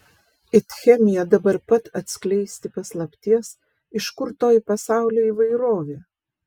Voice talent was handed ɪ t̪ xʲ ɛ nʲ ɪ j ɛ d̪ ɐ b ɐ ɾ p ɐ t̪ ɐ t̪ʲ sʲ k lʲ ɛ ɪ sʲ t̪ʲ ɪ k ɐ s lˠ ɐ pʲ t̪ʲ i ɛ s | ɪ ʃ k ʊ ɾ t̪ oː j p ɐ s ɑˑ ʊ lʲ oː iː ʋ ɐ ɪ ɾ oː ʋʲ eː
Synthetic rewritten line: ɪ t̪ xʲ ɛ mʲ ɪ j ɛ d̪ ɐ b ɐ ɾ p ɐ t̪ ɐ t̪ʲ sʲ k lʲ ɛ ɪ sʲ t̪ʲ ɪ p ɐ s lˠ ɐ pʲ t̪ʲ i ɛ s | ɪ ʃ k ʊ ɾ t̪ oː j p ɐ s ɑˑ ʊ lʲ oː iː ʋ ɐ ɪ ɾ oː ʋʲ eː